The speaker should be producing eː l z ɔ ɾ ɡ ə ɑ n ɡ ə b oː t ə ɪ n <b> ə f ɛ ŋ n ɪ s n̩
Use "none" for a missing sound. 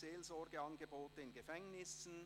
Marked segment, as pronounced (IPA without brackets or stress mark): ɡ